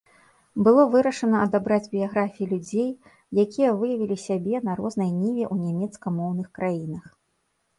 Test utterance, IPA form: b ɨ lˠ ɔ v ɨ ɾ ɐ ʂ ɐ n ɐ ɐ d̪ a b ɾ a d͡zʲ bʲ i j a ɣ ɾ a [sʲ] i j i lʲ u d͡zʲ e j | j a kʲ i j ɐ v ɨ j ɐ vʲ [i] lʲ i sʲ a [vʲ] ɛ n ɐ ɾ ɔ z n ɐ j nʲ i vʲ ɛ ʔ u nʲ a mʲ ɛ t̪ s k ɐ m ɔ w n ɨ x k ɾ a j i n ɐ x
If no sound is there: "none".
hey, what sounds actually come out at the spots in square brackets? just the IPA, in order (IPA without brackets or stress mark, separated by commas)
fʲ, i, bʲ